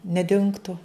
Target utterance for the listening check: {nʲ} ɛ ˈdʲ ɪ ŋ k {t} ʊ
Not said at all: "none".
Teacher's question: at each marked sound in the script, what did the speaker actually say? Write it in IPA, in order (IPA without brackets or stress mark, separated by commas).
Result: nʲ, t